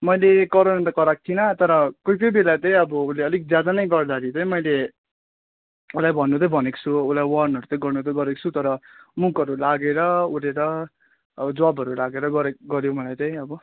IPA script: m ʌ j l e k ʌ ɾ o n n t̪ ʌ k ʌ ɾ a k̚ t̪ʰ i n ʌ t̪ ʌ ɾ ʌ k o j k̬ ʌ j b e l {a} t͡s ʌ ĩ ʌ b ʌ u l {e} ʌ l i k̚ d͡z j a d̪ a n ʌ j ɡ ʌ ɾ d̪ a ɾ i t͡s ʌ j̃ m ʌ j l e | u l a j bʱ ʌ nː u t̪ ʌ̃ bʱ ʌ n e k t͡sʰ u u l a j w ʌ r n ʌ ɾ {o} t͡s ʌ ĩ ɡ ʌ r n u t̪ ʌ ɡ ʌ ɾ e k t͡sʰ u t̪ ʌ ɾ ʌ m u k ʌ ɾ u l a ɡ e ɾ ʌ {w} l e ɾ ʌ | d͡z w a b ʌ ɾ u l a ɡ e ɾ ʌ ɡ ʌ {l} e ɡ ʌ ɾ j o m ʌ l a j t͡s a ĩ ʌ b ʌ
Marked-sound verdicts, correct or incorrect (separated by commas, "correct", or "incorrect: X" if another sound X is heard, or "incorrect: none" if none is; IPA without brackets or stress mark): correct, correct, incorrect: u, incorrect: u, incorrect: ɾ